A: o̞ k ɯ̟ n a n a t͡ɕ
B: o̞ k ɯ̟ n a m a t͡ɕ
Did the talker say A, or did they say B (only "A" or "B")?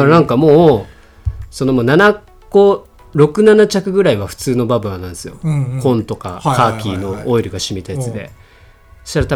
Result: A